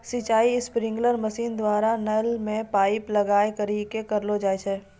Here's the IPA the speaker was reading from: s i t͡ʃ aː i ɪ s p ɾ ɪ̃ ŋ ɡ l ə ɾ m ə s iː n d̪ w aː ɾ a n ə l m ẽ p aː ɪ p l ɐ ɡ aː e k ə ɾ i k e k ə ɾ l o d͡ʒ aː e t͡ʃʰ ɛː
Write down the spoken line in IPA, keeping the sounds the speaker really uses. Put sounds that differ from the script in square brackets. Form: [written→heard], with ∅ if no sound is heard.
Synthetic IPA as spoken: s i t͡ʃ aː i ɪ s p ɾ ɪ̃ ŋ ɡ l ə ɾ m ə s iː n d̪ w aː ɾ a n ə l m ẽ p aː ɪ p l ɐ ɡ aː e k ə ɾ i k e k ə ɾ l o d͡ʒ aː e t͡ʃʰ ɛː